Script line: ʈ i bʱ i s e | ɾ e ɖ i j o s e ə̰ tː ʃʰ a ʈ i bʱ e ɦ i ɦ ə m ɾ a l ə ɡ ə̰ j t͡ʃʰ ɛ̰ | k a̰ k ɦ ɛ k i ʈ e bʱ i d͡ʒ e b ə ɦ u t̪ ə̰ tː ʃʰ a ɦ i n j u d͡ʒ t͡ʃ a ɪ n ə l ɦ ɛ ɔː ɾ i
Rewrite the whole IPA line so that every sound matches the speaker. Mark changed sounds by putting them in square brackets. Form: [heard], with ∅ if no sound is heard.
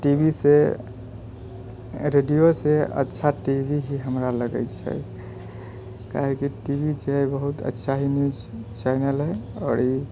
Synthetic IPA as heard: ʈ i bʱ i s e | ɾ e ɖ i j o s e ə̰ tː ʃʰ a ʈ i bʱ [i] ɦ i ɦ ə m ɾ a l ə ɡ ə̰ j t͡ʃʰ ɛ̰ | k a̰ [∅] ɦ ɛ k i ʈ [i] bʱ i d͡ʒ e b ə ɦ u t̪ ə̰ tː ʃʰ a ɦ i n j u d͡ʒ t͡ʃ a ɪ n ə l ɦ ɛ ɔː ɾ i